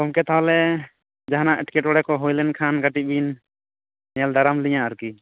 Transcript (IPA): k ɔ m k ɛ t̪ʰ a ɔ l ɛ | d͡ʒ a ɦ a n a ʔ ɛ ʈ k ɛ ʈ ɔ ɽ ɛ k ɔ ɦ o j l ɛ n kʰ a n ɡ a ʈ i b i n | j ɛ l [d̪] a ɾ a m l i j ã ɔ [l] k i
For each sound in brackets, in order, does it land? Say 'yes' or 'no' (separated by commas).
yes, no